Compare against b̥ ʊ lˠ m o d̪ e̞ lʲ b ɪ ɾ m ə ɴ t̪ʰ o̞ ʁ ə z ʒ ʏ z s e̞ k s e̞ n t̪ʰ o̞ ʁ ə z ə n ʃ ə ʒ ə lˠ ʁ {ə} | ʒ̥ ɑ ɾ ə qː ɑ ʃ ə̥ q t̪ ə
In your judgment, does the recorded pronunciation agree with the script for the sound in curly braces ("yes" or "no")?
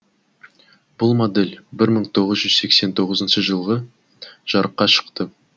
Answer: yes